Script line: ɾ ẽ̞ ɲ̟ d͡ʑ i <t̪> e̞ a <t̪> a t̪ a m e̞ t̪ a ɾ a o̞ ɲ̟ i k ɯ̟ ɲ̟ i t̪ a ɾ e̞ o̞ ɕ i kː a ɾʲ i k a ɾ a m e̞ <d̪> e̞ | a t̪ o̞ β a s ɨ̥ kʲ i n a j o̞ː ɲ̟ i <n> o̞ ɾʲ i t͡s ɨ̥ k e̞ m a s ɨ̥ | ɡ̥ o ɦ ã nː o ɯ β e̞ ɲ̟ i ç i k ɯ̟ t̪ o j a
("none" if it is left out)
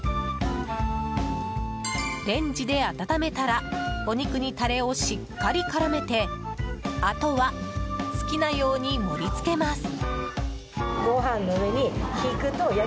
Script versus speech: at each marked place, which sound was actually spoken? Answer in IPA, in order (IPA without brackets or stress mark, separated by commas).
d̪, t̪, t̪, m